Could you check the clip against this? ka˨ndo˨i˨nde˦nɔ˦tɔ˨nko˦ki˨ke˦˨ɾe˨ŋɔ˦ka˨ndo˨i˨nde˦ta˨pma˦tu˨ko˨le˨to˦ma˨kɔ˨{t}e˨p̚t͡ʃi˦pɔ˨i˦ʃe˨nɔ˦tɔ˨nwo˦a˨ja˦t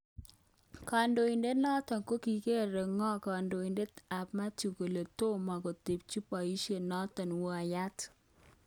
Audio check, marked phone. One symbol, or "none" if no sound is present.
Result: t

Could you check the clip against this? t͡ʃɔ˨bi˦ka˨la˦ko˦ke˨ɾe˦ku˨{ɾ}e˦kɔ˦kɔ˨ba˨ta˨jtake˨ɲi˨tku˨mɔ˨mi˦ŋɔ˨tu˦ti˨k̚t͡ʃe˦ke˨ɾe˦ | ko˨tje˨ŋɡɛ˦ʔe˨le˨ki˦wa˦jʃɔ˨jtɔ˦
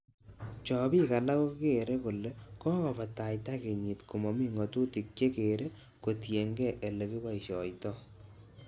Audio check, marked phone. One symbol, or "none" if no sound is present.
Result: l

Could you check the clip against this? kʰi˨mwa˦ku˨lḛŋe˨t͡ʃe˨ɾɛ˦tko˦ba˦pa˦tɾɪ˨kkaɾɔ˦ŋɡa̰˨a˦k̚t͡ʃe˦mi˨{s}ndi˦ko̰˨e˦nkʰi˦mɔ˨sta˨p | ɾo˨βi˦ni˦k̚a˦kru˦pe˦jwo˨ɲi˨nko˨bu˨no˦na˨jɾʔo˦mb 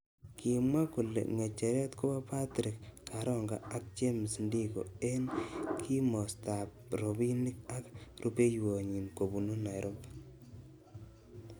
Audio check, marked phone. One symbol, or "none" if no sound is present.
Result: s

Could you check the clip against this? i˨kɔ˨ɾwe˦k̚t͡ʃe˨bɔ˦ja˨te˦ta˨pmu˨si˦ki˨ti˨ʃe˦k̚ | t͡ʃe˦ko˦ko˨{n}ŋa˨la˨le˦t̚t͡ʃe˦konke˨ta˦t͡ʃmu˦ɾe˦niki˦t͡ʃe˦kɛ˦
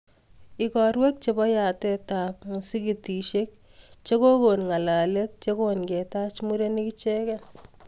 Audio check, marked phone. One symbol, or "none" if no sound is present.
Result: n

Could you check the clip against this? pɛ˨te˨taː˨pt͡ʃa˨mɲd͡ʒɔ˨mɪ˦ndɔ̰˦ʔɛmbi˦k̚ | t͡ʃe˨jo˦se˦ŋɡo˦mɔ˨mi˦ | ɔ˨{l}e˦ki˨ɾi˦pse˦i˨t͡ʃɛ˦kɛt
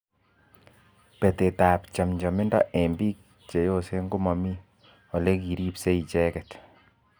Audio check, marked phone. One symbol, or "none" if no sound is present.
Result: l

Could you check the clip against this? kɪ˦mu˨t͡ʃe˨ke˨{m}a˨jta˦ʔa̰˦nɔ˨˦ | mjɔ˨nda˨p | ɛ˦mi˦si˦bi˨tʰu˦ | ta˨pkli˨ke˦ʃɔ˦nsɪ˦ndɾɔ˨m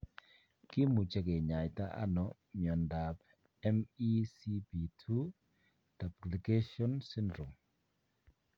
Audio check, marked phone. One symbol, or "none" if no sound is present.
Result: ɲ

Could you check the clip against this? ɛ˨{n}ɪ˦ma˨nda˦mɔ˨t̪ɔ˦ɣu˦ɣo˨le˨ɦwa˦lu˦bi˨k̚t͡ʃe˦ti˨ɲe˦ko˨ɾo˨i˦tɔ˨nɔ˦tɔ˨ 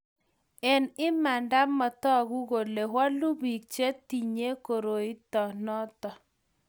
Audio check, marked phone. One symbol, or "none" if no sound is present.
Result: n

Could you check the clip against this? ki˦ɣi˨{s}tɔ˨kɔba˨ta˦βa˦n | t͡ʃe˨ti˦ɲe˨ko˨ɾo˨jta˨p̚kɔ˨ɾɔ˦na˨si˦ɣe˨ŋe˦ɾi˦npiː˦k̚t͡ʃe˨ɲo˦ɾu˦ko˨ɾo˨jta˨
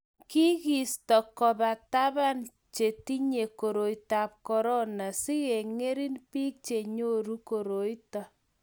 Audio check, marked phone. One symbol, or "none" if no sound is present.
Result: s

